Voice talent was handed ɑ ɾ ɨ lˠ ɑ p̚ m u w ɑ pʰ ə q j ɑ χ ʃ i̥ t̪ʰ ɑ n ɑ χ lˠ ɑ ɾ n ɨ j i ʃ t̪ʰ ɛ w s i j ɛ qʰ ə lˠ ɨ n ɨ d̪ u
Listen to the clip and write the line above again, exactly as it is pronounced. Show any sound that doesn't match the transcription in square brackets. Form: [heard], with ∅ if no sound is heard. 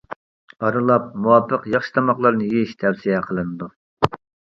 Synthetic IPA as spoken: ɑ ɾ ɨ lˠ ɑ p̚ m u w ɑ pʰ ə q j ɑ χ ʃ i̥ t̪ʰ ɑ [m] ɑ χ lˠ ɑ ɾ n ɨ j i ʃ t̪ʰ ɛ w s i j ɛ qʰ ə lˠ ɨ n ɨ d̪ u